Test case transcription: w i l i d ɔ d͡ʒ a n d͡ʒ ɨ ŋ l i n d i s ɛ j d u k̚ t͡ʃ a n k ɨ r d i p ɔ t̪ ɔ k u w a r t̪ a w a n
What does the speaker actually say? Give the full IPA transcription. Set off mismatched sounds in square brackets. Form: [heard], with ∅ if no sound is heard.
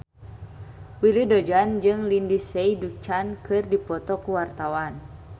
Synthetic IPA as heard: w i l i d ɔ d͡ʒ a n d͡ʒ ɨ ŋ l i n d i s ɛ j d u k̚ t͡ʃ a n k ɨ r d i p ɔ t̪ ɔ k u w a r t̪ a w a n